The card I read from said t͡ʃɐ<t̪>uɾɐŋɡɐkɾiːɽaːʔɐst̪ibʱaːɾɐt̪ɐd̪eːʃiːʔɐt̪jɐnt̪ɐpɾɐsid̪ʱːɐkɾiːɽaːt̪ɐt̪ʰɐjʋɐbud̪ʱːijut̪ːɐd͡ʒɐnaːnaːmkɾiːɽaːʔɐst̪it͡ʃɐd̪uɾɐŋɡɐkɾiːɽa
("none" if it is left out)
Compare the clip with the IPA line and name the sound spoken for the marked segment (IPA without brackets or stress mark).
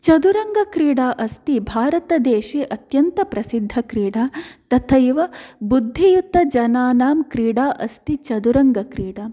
d̪